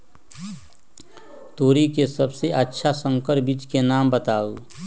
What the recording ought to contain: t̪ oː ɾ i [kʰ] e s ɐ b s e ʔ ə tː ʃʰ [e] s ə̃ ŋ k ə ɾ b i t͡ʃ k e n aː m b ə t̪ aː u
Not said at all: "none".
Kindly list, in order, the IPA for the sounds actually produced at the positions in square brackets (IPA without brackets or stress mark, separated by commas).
k, a